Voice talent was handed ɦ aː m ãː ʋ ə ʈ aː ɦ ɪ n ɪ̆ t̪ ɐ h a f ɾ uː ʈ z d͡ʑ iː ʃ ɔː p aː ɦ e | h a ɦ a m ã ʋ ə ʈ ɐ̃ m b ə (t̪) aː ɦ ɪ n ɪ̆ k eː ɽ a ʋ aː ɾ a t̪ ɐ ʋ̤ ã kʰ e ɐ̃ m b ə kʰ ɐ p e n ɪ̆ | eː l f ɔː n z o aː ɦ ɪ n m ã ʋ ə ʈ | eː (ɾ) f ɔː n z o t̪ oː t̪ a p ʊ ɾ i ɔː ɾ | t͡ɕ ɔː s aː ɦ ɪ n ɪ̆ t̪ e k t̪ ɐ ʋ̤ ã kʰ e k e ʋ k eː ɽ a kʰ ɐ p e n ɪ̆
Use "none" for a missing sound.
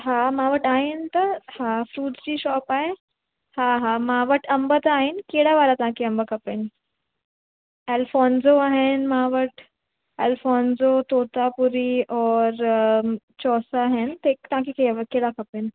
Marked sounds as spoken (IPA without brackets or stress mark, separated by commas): t̪, l